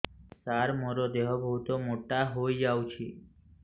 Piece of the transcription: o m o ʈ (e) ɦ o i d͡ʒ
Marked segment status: incorrect: a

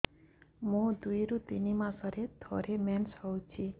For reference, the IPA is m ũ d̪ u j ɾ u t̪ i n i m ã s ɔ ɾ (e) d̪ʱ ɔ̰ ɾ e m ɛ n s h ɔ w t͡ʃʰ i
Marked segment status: correct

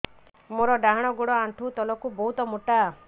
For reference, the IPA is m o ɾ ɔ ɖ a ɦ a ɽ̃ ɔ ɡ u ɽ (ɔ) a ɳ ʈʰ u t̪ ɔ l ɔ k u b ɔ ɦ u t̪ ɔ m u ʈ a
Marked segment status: correct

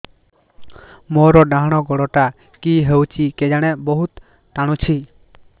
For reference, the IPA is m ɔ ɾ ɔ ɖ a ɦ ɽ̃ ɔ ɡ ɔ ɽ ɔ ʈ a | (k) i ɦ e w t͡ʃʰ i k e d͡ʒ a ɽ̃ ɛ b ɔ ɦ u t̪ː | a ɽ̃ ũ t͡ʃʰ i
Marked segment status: correct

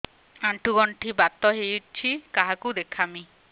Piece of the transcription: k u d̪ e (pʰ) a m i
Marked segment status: incorrect: kʰ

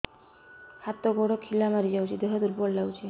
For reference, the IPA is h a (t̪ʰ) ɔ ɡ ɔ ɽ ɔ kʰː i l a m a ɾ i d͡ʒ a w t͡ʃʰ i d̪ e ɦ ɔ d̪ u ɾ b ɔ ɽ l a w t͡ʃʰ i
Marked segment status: incorrect: t̪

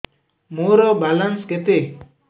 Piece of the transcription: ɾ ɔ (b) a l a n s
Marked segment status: correct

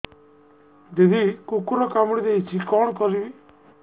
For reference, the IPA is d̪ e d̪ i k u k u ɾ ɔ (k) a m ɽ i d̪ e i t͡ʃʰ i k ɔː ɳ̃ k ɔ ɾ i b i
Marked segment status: correct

